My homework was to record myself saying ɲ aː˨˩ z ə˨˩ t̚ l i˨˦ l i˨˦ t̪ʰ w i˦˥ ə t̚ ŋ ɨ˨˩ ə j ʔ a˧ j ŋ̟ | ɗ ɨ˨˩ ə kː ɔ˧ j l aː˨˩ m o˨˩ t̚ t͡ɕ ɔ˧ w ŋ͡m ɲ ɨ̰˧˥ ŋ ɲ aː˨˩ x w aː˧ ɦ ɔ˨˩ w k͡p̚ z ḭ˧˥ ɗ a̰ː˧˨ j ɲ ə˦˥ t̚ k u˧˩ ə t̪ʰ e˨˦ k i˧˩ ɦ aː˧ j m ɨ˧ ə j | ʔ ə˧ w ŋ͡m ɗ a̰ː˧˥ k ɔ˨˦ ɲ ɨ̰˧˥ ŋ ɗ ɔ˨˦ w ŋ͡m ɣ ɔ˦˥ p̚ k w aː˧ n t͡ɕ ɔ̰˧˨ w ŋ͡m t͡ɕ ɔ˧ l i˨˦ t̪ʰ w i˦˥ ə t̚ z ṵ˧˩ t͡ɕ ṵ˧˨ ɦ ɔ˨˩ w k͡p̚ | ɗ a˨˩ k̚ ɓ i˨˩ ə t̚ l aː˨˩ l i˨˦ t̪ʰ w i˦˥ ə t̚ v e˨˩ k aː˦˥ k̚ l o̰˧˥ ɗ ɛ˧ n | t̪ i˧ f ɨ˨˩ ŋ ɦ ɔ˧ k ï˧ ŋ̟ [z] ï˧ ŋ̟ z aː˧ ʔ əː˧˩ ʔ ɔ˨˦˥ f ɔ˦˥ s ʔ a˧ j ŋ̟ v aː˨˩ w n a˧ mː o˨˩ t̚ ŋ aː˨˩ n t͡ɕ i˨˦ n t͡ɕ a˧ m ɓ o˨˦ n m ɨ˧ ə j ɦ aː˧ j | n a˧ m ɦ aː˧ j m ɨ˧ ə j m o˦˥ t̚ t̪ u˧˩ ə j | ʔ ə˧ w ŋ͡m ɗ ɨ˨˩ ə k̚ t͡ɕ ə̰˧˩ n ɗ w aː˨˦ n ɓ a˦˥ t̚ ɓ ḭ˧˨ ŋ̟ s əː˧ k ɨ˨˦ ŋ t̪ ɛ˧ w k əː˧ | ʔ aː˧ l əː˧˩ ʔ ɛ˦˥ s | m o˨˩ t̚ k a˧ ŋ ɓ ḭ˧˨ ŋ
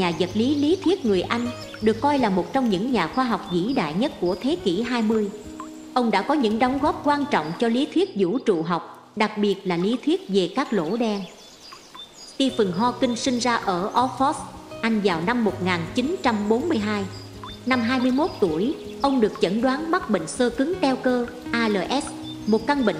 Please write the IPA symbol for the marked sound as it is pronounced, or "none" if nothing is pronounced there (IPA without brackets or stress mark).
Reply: s